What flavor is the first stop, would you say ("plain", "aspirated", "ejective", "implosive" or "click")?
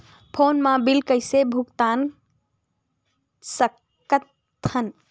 aspirated